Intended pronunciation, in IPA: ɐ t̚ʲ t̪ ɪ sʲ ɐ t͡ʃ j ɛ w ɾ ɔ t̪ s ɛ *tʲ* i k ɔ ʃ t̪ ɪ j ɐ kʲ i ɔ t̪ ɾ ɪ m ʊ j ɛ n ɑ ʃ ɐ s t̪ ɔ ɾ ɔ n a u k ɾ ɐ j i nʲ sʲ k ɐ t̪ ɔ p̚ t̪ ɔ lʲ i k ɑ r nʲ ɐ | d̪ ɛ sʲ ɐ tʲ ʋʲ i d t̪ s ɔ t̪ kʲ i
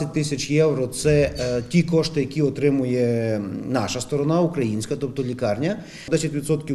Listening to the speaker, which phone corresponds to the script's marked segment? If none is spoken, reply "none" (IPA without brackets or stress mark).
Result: tʲ